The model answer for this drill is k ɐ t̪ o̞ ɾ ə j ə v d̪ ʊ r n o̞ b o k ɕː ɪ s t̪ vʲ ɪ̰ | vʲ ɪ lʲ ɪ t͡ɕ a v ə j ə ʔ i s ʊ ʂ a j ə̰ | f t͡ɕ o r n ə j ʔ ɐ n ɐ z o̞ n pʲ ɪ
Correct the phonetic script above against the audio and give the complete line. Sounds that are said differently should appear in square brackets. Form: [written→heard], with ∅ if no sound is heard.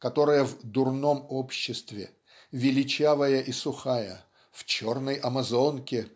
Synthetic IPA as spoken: k ɐ t̪ o̞ ɾ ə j ə v d̪ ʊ r n o̞ [b→m] o [k→p] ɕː ɪ s t̪ vʲ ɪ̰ | vʲ ɪ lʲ ɪ t͡ɕ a v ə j ə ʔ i s ʊ [ʂ→x] a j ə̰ | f t͡ɕ o r n ə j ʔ ɐ [n→m] ɐ z o̞ n [pʲ→kʲ] ɪ